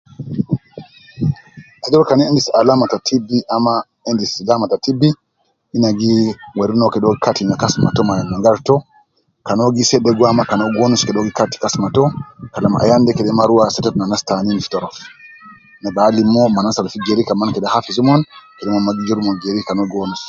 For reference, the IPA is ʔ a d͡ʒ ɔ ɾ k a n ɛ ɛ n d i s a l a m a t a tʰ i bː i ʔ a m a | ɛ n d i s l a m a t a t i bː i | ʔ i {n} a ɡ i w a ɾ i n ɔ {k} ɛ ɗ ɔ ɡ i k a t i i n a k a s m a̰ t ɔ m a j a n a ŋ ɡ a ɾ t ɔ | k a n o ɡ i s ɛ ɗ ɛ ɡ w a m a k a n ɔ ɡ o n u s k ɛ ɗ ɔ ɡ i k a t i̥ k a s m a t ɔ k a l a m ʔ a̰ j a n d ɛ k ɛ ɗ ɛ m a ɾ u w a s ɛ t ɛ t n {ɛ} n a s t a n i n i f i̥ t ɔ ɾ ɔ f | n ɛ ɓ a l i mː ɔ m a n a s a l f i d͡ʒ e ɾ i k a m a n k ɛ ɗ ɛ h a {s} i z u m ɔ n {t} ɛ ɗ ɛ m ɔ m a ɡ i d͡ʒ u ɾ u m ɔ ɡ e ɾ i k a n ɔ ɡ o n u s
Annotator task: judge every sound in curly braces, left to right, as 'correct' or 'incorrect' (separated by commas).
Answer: correct, correct, incorrect, incorrect, incorrect